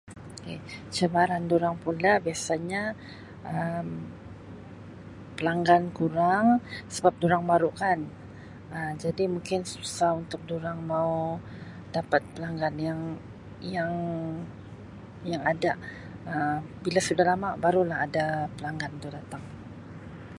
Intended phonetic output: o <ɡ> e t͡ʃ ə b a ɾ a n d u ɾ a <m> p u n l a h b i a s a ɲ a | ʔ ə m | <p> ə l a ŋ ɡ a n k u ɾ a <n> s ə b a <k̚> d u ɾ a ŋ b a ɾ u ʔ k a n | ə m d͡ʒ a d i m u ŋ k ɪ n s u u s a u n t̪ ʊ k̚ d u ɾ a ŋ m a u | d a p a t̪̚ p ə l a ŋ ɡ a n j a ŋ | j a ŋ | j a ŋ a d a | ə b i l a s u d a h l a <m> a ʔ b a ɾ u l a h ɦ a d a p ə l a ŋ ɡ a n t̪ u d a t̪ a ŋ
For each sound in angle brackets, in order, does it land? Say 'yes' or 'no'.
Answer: no, no, yes, no, no, yes

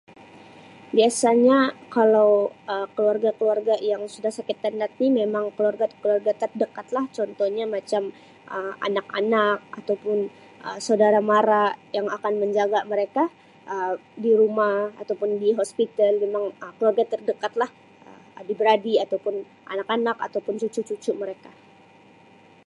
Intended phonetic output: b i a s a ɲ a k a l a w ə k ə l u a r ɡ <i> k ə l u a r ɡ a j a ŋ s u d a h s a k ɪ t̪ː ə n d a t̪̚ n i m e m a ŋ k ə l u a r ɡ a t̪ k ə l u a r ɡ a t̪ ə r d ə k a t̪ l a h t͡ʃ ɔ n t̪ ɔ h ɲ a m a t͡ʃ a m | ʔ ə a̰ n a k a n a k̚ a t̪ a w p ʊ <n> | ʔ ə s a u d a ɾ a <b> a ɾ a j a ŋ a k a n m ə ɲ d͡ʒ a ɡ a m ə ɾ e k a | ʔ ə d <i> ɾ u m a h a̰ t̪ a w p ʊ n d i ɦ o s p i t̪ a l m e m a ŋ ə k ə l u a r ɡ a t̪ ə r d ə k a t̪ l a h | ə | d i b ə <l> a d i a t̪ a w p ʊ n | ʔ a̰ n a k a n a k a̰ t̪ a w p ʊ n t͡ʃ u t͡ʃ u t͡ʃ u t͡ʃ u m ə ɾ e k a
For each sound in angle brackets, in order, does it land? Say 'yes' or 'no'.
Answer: no, yes, no, yes, no

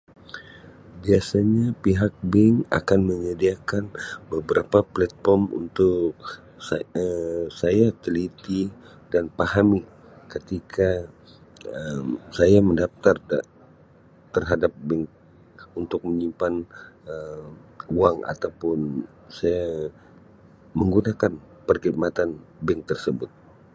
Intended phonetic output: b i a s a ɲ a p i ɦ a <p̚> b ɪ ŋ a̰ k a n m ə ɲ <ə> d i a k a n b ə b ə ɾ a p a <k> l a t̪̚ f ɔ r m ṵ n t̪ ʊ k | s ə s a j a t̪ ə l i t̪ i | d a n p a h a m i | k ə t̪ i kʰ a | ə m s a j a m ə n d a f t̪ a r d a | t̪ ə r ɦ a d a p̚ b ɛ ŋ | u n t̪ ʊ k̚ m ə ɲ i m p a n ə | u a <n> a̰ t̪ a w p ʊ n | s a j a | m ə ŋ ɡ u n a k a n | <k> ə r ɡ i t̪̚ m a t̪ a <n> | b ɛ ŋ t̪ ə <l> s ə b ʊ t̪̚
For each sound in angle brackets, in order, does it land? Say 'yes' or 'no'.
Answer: no, yes, no, no, no, yes, no

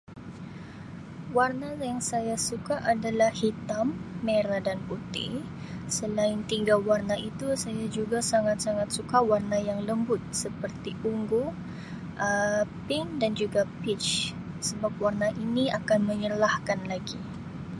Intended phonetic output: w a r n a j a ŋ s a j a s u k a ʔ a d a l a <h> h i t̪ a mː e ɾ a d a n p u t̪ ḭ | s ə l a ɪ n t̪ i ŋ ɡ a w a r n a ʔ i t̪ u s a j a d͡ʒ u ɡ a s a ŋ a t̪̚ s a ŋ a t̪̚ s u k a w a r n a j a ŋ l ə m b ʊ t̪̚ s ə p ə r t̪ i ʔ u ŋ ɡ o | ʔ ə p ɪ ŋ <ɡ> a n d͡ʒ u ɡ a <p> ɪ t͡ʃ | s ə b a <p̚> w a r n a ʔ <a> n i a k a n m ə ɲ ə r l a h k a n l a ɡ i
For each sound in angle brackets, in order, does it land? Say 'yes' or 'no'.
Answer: yes, no, yes, yes, no

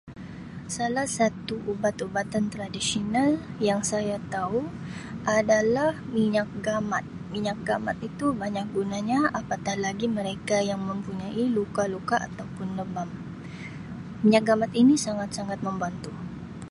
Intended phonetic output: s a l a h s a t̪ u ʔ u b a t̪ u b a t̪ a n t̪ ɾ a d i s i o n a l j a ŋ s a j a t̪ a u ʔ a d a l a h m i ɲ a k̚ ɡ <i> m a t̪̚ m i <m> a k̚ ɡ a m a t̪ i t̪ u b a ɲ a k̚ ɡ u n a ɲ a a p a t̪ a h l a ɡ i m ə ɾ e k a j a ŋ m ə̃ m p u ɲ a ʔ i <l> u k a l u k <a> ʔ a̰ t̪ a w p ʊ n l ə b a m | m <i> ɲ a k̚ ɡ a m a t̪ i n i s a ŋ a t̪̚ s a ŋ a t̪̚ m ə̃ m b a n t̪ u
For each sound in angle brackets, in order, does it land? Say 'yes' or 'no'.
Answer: no, no, yes, yes, yes

